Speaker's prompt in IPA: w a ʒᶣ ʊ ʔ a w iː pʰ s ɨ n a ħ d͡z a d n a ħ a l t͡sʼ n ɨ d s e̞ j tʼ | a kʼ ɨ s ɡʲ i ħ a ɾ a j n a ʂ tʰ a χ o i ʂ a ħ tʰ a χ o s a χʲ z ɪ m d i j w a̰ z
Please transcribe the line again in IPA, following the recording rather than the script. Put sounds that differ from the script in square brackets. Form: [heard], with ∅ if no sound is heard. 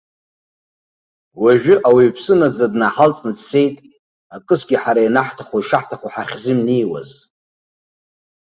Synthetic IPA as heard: w a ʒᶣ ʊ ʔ a w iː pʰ s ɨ n a [∅] d͡z a d n a ħ a l t͡sʼ n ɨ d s e̞ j tʼ | a kʼ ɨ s ɡʲ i ħ a ɾ a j n a [ħ] tʰ a χ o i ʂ a ħ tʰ a χ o [ħ] a χʲ z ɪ m [n] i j w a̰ z